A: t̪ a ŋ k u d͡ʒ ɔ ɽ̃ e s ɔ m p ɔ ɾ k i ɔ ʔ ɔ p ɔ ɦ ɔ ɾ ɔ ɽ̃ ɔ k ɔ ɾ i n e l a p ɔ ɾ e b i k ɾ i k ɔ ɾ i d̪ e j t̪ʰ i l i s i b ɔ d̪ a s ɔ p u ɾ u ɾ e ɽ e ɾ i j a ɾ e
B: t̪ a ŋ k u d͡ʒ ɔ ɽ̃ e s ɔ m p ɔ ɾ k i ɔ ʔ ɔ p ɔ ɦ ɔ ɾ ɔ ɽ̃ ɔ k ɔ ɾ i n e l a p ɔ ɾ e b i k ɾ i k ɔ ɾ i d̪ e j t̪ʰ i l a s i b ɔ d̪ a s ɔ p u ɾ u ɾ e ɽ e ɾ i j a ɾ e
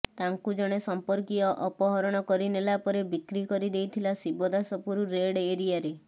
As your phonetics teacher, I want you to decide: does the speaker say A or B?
B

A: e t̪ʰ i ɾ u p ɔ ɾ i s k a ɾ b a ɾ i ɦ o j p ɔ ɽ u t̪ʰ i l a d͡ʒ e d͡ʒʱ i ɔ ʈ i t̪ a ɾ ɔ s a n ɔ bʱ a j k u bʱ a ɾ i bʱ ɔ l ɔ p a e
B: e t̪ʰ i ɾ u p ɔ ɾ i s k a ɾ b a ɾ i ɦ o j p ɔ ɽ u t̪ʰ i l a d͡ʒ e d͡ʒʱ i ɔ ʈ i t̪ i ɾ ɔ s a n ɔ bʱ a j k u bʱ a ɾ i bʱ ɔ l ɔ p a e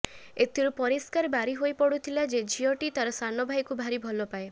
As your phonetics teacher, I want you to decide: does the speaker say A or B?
A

